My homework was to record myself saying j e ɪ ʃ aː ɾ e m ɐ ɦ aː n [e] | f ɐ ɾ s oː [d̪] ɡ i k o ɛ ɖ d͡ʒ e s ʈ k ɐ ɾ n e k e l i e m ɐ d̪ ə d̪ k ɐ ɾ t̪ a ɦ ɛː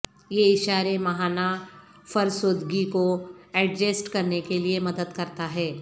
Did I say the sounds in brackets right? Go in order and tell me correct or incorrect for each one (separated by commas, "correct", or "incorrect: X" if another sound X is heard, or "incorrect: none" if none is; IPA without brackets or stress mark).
incorrect: a, correct